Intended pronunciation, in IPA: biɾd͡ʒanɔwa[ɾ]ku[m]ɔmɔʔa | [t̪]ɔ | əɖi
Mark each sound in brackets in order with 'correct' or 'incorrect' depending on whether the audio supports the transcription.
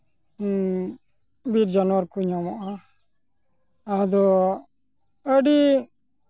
correct, incorrect: ɲ, incorrect: d̪

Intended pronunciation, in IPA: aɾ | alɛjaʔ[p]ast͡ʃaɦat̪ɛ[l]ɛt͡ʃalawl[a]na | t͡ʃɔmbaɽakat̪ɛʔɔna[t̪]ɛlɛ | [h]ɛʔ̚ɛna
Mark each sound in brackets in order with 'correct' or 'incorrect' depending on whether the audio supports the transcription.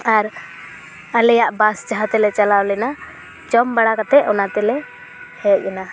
incorrect: b, correct, incorrect: ɛ, correct, correct

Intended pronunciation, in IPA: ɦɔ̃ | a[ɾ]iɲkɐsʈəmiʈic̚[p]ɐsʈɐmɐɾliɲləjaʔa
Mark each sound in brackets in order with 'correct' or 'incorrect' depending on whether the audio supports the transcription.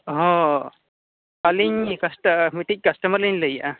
incorrect: l, incorrect: k

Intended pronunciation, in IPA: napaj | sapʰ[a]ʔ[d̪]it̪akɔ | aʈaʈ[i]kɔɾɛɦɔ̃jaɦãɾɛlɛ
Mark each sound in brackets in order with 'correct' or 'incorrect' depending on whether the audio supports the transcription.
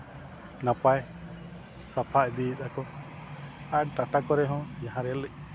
correct, correct, incorrect: a

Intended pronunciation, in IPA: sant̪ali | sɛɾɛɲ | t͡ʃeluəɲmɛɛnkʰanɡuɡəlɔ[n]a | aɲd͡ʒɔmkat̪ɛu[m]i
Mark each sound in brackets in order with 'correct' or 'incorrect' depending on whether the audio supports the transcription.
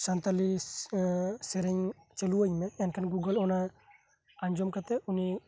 correct, incorrect: n

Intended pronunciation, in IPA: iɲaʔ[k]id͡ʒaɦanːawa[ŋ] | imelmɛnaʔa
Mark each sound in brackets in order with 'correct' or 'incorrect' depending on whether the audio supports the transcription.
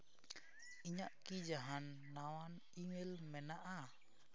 correct, incorrect: n

